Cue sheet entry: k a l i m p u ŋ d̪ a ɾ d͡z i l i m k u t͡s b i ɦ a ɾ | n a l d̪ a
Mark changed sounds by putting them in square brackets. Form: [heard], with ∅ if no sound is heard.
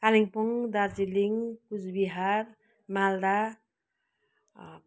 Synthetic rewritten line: k a l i [ŋ] p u ŋ d̪ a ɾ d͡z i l i [ŋ] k u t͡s b i ɦ a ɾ | [m] a l d̪ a